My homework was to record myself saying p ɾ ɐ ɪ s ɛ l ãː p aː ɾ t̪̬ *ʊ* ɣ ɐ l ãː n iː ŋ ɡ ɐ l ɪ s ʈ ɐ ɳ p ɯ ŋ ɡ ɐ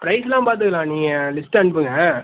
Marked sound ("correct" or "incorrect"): incorrect